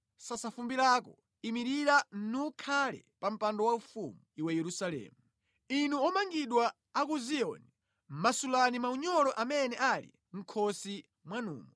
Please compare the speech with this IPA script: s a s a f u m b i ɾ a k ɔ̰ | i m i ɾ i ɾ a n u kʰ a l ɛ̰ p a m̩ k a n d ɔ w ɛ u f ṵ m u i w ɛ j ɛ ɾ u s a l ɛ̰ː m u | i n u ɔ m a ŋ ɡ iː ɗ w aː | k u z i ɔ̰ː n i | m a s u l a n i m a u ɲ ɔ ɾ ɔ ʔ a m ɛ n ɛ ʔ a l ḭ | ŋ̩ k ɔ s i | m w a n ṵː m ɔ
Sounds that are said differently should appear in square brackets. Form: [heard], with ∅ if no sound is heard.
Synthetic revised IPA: s a s a f u m b i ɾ a k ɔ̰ | i m i ɾ i ɾ a n u kʰ a l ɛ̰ p a m̩ [p] a n d ɔ w [a] u f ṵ m u i w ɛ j ɛ ɾ u s a l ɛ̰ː m u | i n u ɔ m a ŋ ɡ [i] ɗ w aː | k u z i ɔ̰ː n i | m a s u l a n i m a u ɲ ɔ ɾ ɔ ʔ a m ɛ n ɛ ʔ a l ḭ | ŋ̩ [kʰ] ɔ s i | m w a n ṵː m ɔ